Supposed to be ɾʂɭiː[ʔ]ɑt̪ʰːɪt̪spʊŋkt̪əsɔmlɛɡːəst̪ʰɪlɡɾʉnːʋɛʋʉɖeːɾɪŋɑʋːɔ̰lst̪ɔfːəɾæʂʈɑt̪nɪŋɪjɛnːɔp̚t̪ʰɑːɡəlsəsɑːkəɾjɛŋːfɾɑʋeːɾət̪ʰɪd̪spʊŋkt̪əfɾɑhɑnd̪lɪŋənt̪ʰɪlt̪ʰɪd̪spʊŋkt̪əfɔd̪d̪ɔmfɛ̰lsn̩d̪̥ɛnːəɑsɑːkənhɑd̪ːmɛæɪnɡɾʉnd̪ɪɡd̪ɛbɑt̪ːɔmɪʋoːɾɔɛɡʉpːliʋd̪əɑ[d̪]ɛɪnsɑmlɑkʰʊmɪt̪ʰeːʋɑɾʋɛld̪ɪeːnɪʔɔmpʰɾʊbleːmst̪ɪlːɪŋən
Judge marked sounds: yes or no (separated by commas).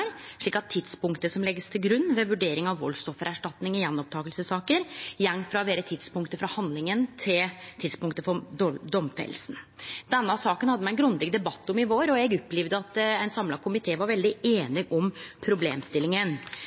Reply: no, no